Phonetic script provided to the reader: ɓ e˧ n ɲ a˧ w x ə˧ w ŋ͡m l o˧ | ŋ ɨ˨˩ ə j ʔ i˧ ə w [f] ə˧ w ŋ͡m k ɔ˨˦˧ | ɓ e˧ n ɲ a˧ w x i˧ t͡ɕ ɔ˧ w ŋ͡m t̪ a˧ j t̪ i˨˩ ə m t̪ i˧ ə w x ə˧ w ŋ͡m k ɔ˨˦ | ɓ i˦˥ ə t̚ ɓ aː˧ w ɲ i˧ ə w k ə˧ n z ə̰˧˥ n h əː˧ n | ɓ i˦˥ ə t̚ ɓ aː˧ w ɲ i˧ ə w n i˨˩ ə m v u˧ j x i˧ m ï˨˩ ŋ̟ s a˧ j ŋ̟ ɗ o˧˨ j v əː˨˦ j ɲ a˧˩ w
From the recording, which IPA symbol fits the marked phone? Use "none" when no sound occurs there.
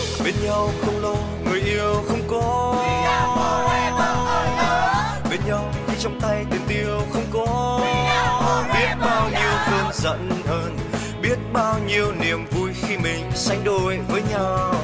x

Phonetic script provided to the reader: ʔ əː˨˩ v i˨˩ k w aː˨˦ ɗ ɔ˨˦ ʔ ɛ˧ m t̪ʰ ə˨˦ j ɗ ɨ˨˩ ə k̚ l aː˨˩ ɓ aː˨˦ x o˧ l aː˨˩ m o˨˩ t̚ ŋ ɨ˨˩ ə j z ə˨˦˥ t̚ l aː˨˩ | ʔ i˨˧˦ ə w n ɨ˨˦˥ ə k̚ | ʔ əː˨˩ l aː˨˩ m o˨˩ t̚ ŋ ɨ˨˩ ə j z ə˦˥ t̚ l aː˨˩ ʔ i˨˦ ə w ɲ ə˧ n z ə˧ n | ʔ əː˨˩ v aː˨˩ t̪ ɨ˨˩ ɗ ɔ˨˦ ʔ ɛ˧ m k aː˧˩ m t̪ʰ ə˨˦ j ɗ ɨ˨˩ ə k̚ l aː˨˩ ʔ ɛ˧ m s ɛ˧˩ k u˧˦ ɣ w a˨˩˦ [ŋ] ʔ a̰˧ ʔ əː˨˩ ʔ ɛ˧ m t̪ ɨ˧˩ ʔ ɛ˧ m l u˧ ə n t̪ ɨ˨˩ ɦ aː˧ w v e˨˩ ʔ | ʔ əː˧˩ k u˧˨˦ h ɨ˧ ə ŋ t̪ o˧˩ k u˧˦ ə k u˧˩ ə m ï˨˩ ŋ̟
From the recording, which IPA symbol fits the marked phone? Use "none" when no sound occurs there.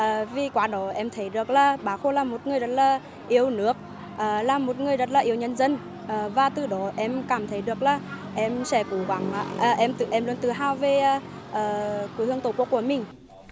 ŋ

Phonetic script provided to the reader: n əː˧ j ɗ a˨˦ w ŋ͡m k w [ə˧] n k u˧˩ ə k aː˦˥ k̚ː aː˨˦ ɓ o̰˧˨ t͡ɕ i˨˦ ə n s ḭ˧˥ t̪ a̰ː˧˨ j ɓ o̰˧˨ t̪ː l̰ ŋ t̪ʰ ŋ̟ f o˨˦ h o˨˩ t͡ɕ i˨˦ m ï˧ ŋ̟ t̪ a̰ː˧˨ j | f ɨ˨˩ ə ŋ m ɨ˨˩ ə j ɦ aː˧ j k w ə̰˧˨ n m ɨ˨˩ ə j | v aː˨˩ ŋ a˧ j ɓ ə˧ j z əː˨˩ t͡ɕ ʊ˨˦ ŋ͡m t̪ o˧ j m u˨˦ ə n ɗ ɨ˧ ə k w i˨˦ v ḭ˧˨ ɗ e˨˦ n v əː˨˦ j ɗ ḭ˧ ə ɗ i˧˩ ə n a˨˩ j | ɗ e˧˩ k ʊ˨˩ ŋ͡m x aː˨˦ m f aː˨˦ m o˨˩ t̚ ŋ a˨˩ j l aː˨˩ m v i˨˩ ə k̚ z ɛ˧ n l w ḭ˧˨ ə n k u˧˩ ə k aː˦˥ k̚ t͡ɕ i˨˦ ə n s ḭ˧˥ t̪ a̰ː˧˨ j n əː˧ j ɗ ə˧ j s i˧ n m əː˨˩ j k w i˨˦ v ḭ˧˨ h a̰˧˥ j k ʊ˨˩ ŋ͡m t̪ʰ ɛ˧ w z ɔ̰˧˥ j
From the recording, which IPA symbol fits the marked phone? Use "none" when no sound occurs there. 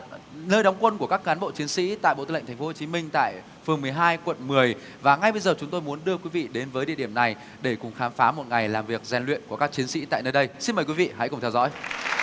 ə˧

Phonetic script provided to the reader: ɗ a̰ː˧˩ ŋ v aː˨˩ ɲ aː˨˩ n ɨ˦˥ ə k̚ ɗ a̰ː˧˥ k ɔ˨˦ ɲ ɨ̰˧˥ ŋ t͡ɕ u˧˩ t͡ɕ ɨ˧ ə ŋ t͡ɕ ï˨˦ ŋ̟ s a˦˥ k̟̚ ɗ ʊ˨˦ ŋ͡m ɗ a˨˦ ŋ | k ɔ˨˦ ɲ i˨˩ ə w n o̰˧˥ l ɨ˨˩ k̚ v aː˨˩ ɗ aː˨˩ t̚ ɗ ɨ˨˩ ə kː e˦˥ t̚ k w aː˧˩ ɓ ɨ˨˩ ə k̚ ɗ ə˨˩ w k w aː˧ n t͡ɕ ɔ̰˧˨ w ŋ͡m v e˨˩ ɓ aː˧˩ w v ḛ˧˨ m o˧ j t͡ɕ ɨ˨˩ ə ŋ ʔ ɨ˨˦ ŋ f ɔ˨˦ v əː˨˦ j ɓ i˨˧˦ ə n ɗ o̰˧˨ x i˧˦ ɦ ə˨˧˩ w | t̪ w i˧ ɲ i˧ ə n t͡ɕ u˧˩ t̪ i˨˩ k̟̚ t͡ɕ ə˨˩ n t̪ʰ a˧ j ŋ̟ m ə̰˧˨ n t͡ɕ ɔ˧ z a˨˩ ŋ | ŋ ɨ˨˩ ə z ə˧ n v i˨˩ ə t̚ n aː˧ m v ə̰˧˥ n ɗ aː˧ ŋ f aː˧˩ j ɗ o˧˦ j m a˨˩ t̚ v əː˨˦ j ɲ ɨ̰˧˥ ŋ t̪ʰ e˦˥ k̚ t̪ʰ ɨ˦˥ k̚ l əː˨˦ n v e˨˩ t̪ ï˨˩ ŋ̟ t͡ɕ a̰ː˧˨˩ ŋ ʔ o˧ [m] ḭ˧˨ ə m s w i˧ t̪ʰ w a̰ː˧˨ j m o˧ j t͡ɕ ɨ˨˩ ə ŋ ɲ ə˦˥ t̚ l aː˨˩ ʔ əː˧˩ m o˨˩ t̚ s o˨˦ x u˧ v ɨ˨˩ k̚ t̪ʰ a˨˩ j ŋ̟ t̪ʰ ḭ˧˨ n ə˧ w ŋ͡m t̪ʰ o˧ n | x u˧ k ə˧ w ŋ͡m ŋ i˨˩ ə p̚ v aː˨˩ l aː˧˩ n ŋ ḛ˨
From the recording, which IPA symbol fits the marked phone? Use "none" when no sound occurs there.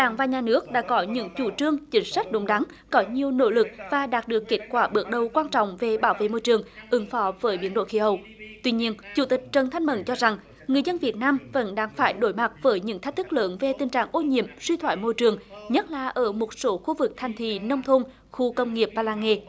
ɲ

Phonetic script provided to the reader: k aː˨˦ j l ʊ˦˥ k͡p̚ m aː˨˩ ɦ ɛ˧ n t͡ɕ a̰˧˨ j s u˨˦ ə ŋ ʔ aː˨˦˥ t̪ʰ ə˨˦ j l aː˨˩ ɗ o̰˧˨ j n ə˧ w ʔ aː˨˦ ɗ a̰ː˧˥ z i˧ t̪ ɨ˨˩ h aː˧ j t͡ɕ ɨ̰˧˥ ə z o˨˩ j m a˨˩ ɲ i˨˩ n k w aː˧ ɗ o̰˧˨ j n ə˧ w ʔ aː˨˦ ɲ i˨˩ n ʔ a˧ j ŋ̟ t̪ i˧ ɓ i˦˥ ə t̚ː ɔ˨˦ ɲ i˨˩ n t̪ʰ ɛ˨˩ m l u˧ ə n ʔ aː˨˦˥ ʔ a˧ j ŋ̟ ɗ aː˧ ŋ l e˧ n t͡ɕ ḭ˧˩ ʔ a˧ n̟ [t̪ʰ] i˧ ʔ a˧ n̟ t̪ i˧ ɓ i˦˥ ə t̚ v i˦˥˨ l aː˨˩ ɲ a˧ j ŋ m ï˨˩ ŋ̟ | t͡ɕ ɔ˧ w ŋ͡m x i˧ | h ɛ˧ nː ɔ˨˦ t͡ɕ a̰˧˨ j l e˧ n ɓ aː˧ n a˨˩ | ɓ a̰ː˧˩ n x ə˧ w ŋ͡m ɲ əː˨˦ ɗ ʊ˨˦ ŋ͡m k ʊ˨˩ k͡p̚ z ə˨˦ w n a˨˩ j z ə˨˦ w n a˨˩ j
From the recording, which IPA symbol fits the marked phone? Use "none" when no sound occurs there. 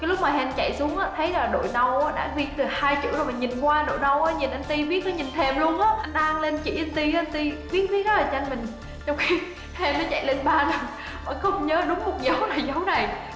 t̪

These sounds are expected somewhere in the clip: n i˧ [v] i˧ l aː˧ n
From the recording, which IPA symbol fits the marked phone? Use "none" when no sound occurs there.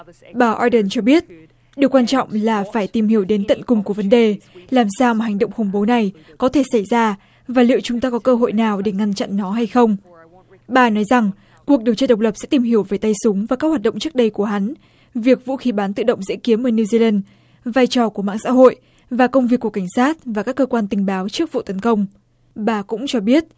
z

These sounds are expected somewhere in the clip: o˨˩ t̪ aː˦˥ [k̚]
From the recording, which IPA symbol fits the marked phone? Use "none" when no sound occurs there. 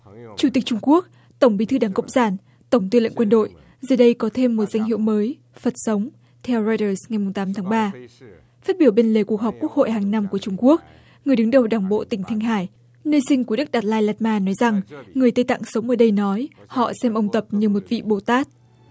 t̚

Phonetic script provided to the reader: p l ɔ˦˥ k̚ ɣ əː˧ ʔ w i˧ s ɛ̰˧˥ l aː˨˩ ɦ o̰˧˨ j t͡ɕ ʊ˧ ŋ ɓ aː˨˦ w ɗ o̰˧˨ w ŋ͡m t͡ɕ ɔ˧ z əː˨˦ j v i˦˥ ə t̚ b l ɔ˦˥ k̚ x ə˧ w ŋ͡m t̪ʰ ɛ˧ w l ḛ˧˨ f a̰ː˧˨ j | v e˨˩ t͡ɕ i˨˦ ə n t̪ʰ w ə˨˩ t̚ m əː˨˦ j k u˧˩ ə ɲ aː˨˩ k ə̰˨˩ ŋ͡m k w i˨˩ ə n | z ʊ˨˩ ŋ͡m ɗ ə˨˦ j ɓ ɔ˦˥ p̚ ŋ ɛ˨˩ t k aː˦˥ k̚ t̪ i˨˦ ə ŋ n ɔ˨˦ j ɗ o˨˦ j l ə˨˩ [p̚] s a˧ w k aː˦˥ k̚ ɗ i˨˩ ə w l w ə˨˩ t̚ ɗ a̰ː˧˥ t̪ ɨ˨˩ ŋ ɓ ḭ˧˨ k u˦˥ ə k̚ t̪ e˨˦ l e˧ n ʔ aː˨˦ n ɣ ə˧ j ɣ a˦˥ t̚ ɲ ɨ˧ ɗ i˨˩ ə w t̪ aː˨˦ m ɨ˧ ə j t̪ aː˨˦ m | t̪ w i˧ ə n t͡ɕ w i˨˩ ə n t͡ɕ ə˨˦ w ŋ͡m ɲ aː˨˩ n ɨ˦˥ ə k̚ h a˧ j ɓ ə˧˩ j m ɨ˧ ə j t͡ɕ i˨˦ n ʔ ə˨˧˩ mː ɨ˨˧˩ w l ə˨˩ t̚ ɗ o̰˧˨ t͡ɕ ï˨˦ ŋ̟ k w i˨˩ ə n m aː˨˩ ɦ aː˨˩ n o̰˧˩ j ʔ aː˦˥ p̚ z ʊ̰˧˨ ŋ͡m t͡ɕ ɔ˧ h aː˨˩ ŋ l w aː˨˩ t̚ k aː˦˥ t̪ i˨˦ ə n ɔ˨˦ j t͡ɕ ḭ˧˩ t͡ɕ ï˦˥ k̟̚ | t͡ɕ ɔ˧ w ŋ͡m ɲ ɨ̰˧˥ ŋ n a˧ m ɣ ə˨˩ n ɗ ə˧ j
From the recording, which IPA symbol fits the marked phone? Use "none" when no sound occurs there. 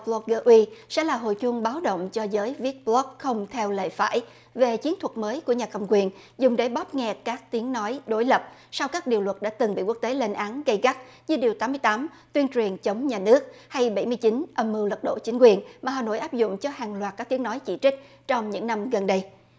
p̚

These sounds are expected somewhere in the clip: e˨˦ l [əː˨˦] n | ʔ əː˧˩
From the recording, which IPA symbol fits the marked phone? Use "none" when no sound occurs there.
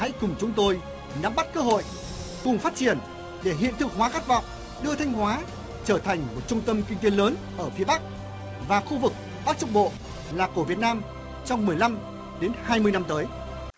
əː˨˦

